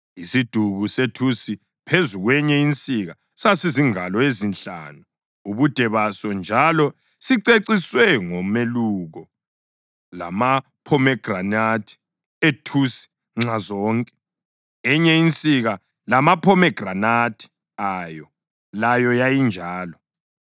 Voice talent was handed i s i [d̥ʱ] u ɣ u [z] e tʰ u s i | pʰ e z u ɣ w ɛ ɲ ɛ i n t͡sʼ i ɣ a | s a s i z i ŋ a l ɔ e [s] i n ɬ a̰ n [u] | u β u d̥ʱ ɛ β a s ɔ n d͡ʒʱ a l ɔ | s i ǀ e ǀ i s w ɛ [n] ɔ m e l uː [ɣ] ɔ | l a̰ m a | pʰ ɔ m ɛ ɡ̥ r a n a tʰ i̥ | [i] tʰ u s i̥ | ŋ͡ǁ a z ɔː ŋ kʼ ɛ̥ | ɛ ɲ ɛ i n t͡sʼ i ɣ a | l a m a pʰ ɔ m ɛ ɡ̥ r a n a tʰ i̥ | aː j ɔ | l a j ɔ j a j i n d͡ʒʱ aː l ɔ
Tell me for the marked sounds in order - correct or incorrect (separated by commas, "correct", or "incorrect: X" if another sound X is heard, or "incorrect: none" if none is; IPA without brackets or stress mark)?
correct, incorrect: s, incorrect: z, correct, incorrect: ŋ, correct, incorrect: e